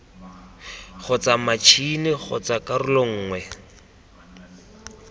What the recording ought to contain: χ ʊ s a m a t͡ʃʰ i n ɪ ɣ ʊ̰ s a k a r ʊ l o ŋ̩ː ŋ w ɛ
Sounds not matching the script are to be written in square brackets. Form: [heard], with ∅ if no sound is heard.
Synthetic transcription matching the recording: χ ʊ [t͡s] a m a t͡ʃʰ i n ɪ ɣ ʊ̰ [t͡s] a k a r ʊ l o ŋ̩ː ŋ w ɛ

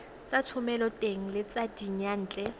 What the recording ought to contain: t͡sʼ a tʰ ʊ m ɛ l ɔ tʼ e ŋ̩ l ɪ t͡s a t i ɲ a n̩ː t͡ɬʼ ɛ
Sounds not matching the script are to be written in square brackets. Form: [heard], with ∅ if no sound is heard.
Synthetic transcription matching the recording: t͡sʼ a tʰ ʊ m ɛ l ɔ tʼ e ŋ̩ l ɪ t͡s a [d] i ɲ a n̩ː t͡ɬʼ ɛ

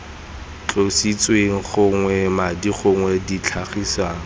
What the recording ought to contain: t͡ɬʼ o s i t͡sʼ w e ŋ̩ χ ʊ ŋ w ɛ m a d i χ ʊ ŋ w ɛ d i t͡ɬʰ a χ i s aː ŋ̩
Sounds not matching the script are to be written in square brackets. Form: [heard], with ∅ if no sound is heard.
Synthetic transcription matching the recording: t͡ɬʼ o s i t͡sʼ w e ŋ̩ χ ʊ ŋ w ɛ m a d i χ ʊ ŋ w ɛ d i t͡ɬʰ a χ i s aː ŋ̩

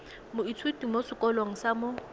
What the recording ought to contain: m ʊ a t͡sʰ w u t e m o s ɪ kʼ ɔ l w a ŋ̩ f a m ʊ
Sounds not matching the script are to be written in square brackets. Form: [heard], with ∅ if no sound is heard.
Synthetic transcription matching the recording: m ʊ [i] t͡sʰ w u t [i] m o s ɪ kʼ ɔ l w a ŋ̩ [s] a m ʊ

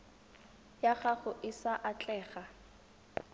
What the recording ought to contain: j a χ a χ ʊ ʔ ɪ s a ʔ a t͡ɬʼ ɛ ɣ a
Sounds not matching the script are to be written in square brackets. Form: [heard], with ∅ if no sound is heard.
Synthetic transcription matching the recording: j a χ a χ ʊ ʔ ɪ s a ʔ a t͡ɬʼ [ɛː] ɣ a

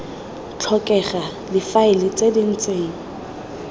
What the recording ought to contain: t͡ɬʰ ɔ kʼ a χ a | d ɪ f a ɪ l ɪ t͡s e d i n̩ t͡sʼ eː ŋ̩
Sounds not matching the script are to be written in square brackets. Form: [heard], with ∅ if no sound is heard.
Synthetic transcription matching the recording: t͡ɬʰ ɔ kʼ [ɛ] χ a | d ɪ f a ɪ l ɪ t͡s e d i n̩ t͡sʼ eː ŋ̩

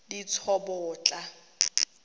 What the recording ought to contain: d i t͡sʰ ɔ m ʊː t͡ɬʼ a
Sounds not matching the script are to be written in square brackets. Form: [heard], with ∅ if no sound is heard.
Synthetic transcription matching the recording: d i t͡sʰ ɔ [b] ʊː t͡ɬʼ a

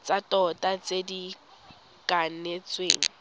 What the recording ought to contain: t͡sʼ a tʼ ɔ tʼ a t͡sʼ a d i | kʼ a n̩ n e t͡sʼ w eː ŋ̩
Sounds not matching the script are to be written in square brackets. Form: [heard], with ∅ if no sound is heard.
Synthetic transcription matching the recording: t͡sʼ a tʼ ɔ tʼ a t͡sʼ [e] d i | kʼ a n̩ n e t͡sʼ w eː ŋ̩

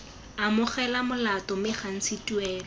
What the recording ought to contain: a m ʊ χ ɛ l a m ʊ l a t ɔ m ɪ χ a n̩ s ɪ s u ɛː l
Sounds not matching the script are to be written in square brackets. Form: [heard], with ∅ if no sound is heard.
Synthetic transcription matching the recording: a m ʊ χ ɛ l a m ʊ l a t ɔ m ɪ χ a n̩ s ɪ [t] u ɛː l

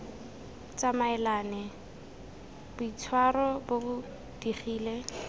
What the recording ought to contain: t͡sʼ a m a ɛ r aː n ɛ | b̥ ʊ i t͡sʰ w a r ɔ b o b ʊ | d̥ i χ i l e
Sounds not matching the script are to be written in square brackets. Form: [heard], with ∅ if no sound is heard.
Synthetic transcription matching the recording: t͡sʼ a m a ɛ [l] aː n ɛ | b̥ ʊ i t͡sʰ w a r ɔ b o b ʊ | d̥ i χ [iː] l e

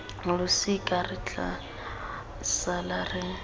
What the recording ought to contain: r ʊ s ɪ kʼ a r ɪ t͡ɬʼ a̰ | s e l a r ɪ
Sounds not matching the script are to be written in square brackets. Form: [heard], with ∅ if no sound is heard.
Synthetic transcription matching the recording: [l] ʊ s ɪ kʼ a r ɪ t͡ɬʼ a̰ | s [a] l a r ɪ

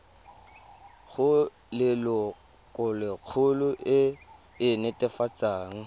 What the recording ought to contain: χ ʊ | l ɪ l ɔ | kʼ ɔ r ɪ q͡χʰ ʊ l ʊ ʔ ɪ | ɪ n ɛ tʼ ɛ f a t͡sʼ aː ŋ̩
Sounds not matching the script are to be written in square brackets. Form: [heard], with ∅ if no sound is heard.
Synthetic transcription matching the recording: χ ʊ | l ɪ l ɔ | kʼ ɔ [l] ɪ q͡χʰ ʊ l ʊ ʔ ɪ | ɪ n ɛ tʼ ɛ f a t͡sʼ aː ŋ̩

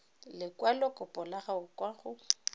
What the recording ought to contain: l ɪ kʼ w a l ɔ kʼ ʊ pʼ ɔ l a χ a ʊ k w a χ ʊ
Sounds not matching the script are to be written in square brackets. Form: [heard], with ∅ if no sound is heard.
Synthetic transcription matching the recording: l ɪ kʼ w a l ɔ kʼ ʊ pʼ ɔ l a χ a ʊ k w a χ ʊ

